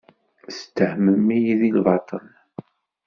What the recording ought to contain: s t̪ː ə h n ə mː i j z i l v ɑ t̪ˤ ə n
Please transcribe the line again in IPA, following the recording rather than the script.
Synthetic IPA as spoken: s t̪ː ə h m ə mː i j ð i l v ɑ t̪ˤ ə n